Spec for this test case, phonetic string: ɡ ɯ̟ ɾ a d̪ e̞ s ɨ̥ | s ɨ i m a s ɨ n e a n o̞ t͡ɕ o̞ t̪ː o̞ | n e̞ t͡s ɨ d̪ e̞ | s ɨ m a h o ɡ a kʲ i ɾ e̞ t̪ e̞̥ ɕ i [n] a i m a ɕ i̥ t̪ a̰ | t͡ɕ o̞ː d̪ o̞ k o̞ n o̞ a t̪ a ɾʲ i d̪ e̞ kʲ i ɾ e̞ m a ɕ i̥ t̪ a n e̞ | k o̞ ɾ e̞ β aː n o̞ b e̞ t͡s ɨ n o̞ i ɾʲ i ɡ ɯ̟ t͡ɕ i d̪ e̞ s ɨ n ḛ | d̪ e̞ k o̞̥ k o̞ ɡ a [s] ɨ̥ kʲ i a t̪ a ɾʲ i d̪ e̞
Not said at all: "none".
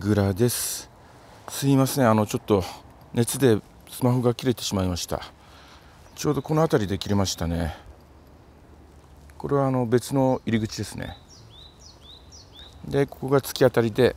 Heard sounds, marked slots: m, t͡s

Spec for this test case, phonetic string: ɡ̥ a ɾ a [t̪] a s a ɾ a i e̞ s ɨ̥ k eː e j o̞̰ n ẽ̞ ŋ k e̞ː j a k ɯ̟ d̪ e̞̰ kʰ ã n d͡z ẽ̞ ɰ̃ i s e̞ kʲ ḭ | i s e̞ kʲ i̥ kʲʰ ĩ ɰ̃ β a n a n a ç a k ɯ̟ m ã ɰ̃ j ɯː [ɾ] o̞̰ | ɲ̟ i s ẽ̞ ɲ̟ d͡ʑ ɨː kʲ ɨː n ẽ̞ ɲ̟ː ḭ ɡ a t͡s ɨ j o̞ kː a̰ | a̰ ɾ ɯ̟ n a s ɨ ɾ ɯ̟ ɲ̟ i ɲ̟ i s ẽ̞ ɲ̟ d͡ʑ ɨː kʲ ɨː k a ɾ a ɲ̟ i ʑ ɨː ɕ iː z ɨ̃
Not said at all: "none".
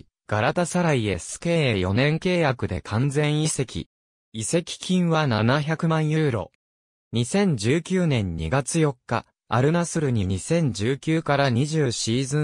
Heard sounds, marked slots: t̪, ɾ

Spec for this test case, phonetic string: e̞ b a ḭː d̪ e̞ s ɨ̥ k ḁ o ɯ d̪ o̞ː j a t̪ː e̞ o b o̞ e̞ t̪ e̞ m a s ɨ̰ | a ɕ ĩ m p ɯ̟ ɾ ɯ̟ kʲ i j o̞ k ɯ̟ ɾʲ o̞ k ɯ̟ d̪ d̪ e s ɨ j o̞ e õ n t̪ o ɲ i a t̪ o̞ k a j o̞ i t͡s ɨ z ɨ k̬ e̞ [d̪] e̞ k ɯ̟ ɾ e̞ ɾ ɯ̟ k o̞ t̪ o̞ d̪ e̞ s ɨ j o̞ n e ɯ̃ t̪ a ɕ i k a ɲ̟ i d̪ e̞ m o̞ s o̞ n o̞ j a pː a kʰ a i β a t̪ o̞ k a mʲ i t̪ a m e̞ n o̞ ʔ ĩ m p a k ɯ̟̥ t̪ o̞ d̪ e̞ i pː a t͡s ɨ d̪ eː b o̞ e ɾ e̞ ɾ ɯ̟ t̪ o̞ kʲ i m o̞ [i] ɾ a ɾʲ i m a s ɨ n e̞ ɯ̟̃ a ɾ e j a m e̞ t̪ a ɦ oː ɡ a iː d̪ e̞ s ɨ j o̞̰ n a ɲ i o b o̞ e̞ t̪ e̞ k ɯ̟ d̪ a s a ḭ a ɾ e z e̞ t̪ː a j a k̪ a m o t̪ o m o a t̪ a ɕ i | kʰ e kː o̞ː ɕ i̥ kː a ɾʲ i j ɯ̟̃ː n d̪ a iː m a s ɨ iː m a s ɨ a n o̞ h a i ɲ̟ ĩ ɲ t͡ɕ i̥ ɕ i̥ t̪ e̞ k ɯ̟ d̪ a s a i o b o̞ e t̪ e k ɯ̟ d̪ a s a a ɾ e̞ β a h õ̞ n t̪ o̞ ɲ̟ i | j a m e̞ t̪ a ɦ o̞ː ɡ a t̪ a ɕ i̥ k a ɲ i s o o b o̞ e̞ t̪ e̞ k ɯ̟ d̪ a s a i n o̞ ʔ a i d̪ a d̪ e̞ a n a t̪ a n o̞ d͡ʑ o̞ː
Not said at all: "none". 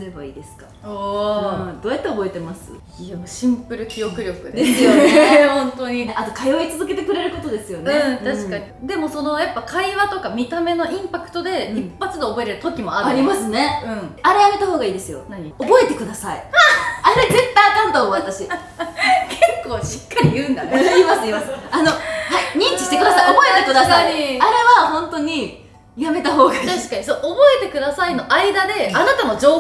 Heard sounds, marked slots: t̪, a

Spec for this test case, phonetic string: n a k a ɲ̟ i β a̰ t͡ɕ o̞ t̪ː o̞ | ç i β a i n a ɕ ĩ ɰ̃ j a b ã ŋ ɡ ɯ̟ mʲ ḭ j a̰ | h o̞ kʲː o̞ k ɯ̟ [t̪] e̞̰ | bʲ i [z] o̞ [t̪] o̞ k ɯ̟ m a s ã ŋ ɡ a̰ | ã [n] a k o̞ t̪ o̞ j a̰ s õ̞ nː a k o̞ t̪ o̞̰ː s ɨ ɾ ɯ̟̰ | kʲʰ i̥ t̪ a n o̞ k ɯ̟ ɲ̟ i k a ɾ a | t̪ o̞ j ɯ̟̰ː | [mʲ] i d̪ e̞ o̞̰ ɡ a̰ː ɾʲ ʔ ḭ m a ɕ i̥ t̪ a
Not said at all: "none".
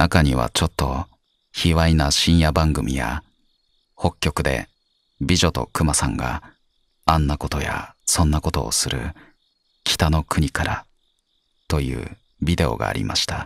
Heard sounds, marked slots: d̪, ʑ, t̪, nː, bʲ

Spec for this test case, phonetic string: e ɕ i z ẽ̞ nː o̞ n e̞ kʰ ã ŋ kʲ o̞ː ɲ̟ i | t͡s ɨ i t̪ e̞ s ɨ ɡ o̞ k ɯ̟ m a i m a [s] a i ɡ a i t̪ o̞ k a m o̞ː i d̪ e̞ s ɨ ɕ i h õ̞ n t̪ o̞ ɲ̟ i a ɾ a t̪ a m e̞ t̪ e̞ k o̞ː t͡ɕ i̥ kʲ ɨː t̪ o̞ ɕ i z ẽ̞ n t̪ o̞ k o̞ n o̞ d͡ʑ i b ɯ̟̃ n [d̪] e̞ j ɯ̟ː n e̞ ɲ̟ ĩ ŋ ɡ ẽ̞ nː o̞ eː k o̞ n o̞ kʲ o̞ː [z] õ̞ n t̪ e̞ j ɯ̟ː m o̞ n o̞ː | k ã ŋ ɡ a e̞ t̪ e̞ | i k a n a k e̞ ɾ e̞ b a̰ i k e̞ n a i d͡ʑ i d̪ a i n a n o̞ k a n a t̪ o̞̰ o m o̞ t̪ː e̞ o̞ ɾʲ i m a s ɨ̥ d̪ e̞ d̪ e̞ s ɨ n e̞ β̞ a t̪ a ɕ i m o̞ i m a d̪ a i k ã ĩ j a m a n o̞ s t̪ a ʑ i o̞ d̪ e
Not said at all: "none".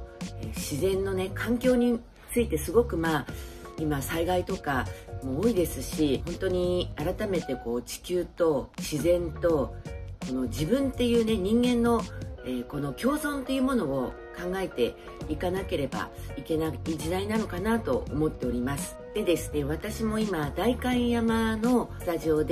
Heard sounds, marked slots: s, t̪, z

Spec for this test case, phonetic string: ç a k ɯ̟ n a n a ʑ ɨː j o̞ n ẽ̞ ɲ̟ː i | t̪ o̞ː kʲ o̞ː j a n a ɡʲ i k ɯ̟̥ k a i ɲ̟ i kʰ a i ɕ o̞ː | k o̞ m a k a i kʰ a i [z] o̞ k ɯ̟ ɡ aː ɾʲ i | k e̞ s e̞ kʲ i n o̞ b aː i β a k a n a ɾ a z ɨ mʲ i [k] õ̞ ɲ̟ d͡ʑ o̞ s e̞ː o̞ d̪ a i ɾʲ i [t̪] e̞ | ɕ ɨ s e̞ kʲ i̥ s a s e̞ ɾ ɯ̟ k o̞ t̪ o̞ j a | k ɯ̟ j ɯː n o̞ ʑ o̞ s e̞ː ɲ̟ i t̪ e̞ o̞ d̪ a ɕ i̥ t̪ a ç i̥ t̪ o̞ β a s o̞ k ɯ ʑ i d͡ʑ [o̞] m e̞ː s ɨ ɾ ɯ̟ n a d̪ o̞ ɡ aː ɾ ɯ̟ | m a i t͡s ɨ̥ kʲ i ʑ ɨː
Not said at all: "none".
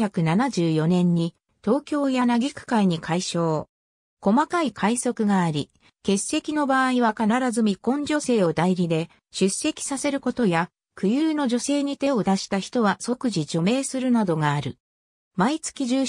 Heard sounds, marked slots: s, k, d̪, o̞

